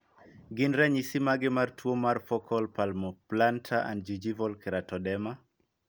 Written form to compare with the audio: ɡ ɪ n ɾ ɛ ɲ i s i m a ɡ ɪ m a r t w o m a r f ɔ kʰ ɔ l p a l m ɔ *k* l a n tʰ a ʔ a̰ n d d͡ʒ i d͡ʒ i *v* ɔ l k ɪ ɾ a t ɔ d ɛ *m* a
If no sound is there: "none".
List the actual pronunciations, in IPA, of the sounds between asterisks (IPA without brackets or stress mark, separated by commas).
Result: p, v, m